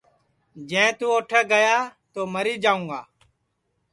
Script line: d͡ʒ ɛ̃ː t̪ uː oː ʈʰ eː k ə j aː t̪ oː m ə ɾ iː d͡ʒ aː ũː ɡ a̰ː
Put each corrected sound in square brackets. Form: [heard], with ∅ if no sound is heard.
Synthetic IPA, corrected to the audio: d͡ʒ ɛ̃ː t̪ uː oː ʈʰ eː [ɡ] ə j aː t̪ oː m ə ɾ iː d͡ʒ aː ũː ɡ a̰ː